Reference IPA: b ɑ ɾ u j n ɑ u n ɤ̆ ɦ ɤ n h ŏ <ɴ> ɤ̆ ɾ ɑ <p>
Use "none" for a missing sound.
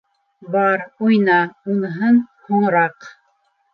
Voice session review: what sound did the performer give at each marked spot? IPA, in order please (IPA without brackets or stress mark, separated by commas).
ɴ, q